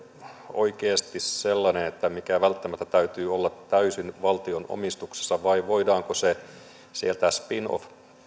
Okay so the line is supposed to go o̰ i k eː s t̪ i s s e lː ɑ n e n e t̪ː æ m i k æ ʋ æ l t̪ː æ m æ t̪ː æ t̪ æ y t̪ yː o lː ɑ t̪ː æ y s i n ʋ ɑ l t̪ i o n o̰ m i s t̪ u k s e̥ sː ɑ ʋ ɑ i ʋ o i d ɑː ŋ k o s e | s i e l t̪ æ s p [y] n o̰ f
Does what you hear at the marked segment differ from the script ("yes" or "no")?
yes